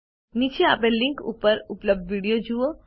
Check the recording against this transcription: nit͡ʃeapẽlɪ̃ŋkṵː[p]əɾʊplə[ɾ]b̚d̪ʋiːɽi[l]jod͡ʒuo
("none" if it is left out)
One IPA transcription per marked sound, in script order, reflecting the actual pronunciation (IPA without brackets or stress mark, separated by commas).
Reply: p, none, none